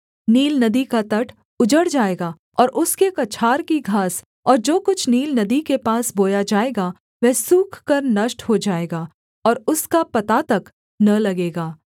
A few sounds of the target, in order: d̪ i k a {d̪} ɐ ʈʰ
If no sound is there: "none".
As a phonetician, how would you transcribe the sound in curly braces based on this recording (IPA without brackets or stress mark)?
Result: t̪